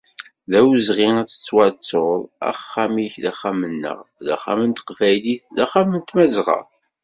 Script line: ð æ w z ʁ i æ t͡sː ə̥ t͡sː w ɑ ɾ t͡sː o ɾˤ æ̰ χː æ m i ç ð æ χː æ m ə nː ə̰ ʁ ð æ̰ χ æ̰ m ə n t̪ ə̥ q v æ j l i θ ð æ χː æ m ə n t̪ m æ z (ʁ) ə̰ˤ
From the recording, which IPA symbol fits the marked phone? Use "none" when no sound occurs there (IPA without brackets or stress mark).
ʁ